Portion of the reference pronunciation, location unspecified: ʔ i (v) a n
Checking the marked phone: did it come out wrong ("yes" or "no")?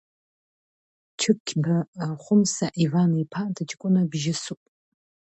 no